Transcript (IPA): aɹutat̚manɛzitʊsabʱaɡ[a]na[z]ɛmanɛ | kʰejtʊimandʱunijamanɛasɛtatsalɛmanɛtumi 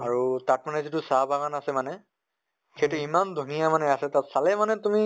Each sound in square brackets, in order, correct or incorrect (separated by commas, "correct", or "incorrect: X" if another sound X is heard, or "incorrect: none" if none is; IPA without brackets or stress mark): correct, incorrect: s